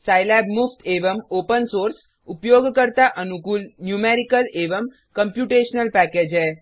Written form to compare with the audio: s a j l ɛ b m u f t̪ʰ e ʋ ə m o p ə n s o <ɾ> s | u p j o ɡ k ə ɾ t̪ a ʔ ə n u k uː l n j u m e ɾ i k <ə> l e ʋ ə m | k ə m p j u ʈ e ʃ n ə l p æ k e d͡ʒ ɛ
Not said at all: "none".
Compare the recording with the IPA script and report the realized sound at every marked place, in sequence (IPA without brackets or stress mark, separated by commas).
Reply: ɾ, ə